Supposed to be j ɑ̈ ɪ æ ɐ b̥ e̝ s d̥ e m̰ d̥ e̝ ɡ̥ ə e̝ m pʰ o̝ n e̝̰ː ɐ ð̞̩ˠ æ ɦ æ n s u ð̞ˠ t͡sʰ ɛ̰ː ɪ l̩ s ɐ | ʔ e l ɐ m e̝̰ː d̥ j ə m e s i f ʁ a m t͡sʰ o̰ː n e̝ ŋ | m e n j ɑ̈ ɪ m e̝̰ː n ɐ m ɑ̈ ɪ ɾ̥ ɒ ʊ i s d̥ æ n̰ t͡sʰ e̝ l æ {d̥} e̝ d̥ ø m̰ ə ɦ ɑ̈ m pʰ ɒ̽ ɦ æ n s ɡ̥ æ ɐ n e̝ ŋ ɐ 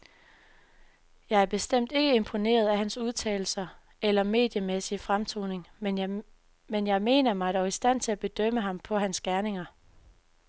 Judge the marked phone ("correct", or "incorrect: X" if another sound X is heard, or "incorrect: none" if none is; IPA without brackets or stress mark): incorrect: b̥